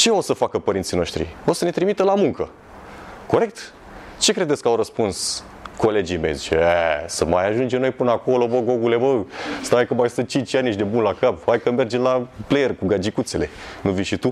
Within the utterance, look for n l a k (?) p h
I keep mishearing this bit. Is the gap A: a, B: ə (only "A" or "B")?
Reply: A